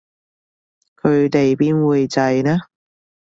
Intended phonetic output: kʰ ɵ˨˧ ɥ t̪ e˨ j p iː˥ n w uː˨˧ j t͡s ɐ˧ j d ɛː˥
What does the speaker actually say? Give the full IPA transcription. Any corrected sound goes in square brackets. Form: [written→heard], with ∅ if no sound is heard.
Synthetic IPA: kʰ ɵ˨˧ ɥ t̪ e˨ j p iː˥ n w uː˨˧ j t͡s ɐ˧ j [d→n] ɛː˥